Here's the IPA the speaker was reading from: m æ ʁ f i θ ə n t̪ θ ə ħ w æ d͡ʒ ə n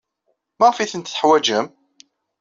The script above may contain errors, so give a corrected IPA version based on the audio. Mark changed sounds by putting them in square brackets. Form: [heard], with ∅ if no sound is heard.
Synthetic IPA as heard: m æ ʁ f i θ ə n t̪ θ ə ħ w æ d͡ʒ ə [m]